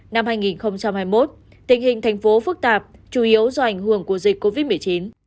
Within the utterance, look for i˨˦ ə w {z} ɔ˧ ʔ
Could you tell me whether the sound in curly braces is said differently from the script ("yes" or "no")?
no